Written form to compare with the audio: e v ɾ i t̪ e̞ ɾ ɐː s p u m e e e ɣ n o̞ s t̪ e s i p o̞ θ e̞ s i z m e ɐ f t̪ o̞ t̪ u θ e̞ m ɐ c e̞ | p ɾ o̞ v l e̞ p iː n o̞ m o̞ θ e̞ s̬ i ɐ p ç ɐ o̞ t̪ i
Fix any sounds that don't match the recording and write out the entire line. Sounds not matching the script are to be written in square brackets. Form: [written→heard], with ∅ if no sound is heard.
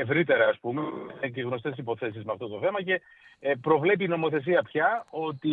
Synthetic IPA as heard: e v ɾ i t̪ e̞ ɾ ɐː s p u m e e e ɣ n o̞ s t̪ e s i p o̞ θ e̞ s i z m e ɐ f t̪ o̞ t̪ [u→o] θ e̞ m ɐ c e̞ | p ɾ o̞ v l e̞ p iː n o̞ m o̞ θ e̞ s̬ i ɐ p ç ɐ o̞ t̪ i